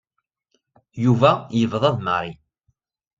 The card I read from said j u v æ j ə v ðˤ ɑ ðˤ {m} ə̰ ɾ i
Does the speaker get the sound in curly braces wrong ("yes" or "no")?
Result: no